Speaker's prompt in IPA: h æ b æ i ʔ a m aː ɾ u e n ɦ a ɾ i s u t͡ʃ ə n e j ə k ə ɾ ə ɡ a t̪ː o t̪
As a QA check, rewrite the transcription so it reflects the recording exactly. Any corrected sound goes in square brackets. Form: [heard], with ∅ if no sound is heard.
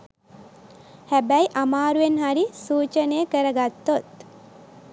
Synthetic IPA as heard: h æ b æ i ʔ a m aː ɾ u e n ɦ a ɾ i s [uː] t͡ʃ ə n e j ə k ə ɾ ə ɡ a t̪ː o t̪